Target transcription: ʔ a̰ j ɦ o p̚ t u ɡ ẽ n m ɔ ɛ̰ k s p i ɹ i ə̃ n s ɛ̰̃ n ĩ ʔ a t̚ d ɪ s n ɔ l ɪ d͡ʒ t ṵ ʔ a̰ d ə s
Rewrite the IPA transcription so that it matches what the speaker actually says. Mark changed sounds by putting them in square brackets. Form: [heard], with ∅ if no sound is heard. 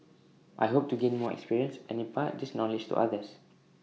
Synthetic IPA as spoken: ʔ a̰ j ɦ o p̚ t u ɡ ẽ n m ɔ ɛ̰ k s p i ɹ i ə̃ n s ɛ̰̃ n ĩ [p] a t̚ d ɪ s n ɔ l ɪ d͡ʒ t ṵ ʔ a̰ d ə s